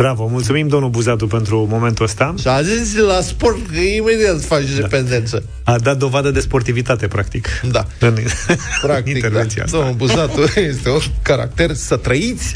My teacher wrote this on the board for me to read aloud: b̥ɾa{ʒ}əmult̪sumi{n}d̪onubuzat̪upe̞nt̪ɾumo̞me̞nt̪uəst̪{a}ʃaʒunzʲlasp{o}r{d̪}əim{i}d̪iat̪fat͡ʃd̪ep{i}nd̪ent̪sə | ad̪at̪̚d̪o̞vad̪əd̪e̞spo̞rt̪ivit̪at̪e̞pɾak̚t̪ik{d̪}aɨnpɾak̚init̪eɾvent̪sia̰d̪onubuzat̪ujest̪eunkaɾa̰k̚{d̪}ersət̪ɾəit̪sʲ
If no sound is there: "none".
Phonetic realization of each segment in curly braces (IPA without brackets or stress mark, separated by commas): v, m, a, o, t̪, e, e, d̪, t̪